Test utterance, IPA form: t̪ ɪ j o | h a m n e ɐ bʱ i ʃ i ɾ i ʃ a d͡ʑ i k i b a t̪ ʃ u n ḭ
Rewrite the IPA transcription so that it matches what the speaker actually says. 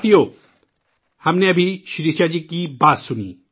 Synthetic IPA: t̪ i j o | h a m n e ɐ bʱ i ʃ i ɾ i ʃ a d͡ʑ i k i b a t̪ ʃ u n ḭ